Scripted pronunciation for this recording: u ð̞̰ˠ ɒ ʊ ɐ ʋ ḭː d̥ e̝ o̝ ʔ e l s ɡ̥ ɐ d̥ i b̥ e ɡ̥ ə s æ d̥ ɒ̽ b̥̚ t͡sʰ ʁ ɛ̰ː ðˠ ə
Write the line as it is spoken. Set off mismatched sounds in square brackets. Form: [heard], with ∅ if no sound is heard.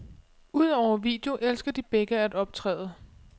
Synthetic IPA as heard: u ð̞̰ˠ ɒ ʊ ɐ ʋ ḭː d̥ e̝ o̝ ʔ e l s ɡ̥ ɐ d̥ i b̥ e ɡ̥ ə [∅] æ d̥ ɒ̽ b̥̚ t͡sʰ ʁ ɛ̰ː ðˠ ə